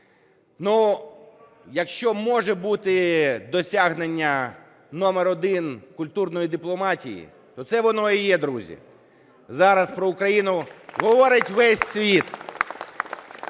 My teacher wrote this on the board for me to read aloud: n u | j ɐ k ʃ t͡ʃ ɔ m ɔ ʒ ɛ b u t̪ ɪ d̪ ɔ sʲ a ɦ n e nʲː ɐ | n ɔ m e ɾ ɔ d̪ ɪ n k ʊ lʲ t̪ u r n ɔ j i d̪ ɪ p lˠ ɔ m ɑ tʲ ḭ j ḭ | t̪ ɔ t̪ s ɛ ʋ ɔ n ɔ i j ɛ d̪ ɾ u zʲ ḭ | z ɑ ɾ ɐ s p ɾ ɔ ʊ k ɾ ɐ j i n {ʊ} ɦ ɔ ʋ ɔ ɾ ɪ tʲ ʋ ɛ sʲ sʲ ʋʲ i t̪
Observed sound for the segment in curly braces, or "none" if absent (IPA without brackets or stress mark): ʊ